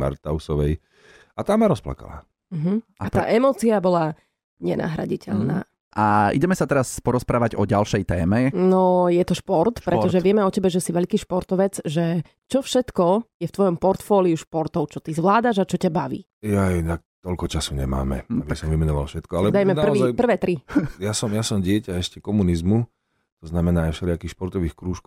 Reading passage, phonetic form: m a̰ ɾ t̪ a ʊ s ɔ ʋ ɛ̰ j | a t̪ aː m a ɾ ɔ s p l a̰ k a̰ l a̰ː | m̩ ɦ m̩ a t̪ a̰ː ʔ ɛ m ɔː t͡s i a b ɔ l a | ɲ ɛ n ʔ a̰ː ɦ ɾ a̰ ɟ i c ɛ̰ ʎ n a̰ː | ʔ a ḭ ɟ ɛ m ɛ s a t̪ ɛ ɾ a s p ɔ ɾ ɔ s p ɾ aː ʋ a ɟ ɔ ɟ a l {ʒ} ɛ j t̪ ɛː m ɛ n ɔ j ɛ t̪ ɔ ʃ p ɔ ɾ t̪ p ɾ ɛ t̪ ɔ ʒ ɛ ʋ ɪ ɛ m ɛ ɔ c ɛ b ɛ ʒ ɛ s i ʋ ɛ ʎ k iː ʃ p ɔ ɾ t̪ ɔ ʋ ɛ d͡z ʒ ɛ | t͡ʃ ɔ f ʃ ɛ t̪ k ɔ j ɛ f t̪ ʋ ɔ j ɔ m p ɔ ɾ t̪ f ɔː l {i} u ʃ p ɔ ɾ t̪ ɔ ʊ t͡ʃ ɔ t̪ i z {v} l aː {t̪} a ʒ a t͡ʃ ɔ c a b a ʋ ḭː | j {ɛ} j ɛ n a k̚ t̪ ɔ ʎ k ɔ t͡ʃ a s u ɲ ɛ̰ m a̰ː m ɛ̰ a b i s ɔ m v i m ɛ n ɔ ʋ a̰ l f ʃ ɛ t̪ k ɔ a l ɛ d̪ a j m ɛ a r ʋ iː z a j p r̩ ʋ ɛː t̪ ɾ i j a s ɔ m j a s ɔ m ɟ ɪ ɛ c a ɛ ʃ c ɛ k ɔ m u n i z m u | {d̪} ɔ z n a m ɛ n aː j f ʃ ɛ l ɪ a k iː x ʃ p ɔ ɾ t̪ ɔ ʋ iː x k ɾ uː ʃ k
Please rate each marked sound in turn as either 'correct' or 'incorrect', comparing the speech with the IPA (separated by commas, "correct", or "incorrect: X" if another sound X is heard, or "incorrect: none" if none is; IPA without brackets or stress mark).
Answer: incorrect: ʃ, correct, incorrect: ʋ, incorrect: d̪, incorrect: a, incorrect: t̪